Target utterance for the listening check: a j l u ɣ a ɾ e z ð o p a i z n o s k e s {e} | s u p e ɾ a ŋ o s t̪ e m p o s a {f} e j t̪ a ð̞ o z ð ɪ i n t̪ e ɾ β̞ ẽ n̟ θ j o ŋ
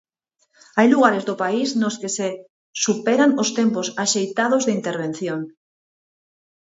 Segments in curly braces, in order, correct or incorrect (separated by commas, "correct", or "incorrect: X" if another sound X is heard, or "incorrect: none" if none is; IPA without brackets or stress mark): correct, incorrect: ʃ